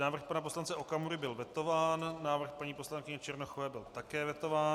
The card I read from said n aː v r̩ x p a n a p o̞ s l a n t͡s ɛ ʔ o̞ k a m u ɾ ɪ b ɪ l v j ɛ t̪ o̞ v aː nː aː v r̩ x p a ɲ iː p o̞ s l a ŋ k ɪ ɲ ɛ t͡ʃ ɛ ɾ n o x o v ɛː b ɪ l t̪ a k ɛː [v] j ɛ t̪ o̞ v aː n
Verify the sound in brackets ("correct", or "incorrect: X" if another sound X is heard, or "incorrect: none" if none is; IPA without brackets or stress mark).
correct